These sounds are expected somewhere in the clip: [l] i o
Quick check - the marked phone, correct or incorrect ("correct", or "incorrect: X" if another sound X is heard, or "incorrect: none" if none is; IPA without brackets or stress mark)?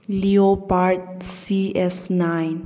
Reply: correct